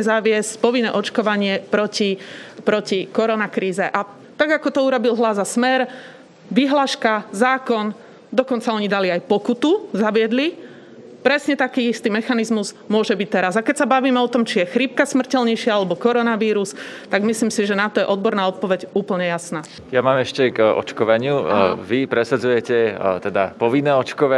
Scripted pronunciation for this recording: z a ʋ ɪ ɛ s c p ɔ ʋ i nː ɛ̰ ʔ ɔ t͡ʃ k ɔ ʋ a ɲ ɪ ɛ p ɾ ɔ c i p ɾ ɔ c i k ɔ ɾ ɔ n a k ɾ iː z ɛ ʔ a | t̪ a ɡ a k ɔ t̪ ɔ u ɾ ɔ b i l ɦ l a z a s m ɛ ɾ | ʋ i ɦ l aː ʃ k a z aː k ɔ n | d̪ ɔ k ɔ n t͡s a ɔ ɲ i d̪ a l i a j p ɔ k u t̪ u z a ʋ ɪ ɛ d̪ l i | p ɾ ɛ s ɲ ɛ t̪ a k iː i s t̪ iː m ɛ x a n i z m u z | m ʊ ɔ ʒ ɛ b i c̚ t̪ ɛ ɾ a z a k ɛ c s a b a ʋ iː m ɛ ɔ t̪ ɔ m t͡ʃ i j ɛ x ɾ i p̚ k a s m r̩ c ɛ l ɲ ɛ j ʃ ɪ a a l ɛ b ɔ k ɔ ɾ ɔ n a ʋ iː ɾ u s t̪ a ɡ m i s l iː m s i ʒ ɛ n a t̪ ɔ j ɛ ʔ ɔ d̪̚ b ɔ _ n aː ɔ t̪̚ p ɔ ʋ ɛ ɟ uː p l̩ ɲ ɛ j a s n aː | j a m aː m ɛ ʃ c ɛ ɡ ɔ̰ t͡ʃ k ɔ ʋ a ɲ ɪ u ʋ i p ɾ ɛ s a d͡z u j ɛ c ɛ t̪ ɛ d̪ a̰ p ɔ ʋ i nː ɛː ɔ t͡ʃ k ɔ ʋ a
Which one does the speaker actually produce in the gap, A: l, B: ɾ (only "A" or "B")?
B